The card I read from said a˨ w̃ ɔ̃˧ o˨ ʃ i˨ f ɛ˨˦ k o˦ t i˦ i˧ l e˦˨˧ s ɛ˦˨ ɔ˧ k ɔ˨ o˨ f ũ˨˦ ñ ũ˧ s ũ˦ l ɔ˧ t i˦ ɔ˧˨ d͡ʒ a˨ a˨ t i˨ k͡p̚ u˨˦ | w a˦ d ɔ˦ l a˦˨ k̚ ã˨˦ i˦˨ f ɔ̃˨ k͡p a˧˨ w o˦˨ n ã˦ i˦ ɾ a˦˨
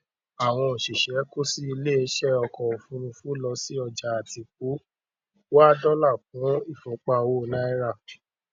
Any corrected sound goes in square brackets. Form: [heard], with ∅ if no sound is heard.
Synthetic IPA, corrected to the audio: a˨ w̃ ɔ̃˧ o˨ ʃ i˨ [ʃ] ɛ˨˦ k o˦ [s] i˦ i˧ l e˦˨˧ [ʃ] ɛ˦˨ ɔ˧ k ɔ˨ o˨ f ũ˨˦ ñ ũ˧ [f] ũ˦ l ɔ˧ [s] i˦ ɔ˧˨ d͡ʒ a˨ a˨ t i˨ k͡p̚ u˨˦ | w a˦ d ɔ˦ l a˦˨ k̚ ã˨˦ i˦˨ f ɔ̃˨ k͡p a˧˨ w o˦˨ n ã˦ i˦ ɾ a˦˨